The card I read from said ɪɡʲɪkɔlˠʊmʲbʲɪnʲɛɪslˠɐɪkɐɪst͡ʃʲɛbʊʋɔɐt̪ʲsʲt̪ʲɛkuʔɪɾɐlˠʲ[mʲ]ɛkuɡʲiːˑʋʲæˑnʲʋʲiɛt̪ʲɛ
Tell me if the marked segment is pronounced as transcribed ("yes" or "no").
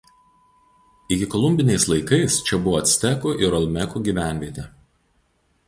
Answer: yes